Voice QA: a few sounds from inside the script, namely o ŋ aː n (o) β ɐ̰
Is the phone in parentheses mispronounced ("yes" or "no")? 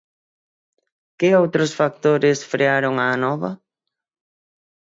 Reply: yes